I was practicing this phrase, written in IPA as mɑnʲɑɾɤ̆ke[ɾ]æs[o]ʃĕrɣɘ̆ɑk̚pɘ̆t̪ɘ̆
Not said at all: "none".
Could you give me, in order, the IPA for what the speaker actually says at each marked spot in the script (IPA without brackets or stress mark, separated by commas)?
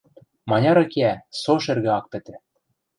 none, o